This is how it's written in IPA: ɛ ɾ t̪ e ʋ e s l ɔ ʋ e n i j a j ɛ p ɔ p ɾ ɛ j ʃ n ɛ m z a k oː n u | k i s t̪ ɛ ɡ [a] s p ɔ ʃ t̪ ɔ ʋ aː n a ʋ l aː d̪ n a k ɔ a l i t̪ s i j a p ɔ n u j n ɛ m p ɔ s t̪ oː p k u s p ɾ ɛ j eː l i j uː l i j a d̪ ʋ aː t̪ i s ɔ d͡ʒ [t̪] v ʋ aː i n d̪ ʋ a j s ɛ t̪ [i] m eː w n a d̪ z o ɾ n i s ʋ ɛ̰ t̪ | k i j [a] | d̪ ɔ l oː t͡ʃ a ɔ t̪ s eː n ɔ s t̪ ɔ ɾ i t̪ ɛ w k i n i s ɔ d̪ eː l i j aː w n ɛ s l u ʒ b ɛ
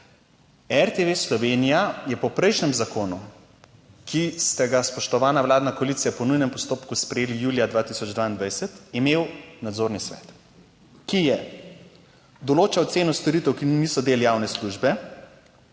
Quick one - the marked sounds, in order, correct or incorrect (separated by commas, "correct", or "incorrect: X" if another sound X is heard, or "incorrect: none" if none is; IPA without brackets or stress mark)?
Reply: correct, incorrect: d̪, correct, incorrect: ɛ